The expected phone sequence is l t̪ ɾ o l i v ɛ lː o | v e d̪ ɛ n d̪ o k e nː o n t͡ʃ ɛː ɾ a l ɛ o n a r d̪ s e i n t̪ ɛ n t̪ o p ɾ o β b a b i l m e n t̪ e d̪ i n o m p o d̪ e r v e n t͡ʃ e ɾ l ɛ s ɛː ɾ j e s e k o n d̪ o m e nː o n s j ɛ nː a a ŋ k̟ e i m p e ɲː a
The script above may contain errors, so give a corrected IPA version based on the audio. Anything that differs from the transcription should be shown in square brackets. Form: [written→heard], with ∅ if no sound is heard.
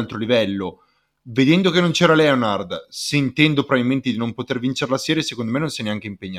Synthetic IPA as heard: l t̪ ɾ o l i v ɛ lː o | v e d̪ ɛ n d̪ o k e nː o n t͡ʃ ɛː ɾ a l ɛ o n a r d̪ s e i n t̪ ɛ n [t̪→d̪] o p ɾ o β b a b i l m e n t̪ e d̪ i n o m p o [d̪→t̪] e r v [e→i] n t͡ʃ e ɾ l [ɛ→a] s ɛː ɾ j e s e k o n d̪ o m e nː o n s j ɛ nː [a→e] a ŋ k̟ e i m p e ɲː a